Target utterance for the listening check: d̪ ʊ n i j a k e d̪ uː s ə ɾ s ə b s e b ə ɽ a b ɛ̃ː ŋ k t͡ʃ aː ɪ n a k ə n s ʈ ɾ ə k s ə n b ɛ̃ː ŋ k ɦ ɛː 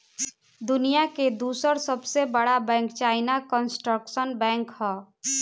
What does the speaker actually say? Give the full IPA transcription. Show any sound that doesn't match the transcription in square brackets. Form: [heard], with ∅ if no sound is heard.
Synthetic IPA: d̪ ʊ n i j a k e d̪ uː s ə ɾ s ə b s e b ə ɽ a b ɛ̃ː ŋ k t͡ʃ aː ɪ n a k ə n s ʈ ɾ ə k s ə n b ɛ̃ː ŋ k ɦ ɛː

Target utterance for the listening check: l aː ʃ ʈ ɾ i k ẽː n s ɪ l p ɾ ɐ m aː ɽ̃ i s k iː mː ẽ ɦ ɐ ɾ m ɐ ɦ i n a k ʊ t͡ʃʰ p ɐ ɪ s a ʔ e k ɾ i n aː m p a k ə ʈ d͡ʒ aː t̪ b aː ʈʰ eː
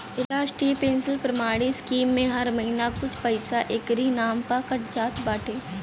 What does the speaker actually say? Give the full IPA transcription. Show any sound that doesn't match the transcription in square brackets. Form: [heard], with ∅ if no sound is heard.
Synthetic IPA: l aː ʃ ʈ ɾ i [p] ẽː n s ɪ l p ɾ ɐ m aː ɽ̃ i s k iː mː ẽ ɦ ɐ ɾ m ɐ ɦ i n a k ʊ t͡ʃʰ p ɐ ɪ s a ʔ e k ɾ i n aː m p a k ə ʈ d͡ʒ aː t̪ b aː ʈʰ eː

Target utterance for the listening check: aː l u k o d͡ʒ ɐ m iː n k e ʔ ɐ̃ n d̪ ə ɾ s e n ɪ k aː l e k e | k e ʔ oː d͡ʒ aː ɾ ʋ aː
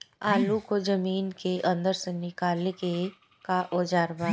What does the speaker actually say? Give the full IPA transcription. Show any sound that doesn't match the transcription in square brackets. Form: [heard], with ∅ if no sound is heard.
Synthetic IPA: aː l u k o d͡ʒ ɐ m iː n k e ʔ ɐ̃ n d̪ ə ɾ s e n ɪ k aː l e k e | k [a] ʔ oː d͡ʒ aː ɾ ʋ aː

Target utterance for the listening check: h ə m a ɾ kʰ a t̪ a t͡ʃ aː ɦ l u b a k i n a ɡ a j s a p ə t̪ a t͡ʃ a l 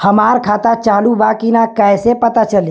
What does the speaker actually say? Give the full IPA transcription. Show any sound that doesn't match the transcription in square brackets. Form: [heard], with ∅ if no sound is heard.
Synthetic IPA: h ə m a ɾ kʰ a t̪ a t͡ʃ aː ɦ l u b a k i n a [k] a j s [e] p ə t̪ a t͡ʃ [ə] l

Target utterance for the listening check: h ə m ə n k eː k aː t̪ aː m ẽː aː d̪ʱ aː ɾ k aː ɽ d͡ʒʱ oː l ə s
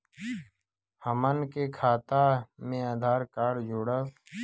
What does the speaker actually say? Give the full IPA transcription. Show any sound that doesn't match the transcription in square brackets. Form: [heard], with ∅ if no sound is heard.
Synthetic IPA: h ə m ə n k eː [kʰ] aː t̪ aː m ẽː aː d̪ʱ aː ɾ k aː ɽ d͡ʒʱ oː [ɽ] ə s

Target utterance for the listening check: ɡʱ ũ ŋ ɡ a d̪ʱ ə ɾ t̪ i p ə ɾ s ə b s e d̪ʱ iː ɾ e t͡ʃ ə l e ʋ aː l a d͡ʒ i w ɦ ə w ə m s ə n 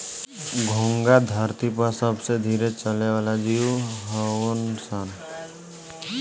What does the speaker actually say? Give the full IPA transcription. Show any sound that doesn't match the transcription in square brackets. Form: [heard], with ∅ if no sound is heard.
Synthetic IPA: ɡʱ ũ ŋ ɡ a d̪ʱ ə ɾ t̪ i p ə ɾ s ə b s e d̪ʱ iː ɾ e t͡ʃ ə l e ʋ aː l a d͡ʒ i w ɦ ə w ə [n] s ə n

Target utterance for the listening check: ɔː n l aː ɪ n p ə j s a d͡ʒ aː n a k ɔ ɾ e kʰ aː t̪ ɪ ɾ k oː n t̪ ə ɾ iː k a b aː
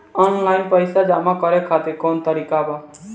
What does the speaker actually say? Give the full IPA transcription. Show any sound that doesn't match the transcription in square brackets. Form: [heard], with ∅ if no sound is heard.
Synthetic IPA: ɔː n l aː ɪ n p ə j s a d͡ʒ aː [m] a k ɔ ɾ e kʰ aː t̪ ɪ ɾ k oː n t̪ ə ɾ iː k a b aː

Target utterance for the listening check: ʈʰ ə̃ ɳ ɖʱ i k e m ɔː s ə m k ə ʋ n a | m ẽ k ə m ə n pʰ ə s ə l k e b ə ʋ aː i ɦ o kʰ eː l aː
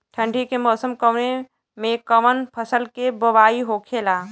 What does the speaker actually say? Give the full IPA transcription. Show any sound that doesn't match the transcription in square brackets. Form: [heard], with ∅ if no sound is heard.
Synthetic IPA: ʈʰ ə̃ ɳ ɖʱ i k e m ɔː s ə m k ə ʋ n [e] | m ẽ k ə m ə n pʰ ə s ə l k e b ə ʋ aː i ɦ o kʰ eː l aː

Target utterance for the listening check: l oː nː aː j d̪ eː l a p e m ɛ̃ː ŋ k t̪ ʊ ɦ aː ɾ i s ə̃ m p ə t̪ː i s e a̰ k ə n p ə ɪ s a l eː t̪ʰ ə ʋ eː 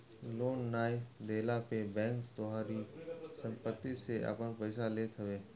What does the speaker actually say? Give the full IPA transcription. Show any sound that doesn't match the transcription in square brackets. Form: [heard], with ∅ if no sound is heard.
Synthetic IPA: l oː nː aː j d̪ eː l a p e [b] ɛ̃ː ŋ k t̪ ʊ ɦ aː ɾ i s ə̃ m p ə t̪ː i s e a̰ [p] ə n p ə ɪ s a l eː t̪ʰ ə ʋ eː

